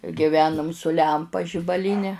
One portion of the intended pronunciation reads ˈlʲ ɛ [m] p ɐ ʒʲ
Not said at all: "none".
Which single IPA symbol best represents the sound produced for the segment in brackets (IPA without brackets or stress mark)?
m